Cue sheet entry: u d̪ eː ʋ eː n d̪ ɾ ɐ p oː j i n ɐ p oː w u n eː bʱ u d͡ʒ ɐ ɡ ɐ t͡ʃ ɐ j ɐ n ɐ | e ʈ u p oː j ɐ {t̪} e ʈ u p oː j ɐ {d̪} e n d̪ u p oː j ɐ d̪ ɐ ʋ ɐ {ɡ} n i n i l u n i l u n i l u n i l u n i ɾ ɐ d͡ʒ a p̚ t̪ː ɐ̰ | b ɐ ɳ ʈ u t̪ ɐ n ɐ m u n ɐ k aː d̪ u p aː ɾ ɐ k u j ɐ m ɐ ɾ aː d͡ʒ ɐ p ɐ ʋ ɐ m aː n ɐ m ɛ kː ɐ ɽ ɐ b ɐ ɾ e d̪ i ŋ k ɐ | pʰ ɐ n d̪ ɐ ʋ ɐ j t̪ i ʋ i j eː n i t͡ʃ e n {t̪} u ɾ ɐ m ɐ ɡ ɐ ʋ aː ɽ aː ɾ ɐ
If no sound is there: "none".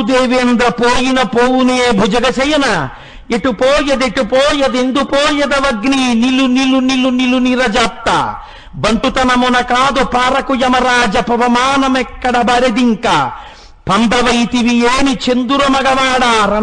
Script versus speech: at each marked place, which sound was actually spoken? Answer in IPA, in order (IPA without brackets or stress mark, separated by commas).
d̪, d̪, ɡ, d̪